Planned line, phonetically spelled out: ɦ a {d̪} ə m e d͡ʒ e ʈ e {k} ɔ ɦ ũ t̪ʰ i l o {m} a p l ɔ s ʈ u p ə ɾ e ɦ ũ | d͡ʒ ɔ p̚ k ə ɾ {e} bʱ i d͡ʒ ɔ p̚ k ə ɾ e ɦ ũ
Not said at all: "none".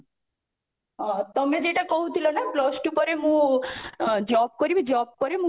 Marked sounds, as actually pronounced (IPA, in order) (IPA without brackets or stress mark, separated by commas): t̪, k, n, i